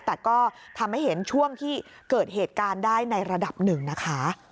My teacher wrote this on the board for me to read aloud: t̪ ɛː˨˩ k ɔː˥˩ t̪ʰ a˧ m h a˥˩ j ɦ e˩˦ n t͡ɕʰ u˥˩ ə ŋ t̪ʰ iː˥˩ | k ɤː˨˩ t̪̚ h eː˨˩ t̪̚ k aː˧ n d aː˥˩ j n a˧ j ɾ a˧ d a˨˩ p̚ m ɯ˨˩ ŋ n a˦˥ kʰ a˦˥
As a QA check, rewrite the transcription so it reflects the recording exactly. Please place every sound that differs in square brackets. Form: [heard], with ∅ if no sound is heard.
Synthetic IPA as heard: t̪ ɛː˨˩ k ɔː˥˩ t̪ʰ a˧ m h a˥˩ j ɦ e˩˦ n t͡ɕʰ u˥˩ ə ŋ t̪ʰ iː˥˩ | k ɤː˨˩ t̪̚ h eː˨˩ t̪̚ k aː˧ n d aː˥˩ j n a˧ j ɾ a˧ d a˨˩ p̚ [n] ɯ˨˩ ŋ n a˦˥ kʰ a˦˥